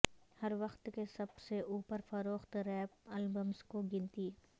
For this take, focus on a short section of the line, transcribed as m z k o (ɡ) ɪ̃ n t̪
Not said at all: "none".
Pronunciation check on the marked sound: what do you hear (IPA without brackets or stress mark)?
ɡ